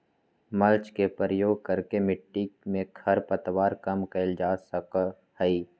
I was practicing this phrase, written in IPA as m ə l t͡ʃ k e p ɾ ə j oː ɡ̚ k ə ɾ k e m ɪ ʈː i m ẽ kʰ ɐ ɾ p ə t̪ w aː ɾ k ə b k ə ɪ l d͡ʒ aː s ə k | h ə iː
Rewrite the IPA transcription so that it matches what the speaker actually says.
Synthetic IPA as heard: m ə l t͡ʃ k e p ɾ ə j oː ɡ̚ k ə ɾ k e m ɪ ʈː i m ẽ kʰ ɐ ɾ p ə t̪ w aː ɾ k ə m k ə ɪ l d͡ʒ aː s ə k | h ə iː